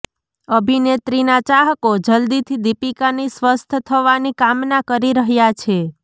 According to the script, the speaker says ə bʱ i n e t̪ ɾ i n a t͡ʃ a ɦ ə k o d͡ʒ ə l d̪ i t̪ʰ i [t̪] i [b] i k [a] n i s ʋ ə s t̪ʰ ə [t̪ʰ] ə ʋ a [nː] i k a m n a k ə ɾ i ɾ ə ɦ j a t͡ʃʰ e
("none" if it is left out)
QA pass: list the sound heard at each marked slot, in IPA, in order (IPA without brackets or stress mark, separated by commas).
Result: d̪, p, a, t̪ʰ, n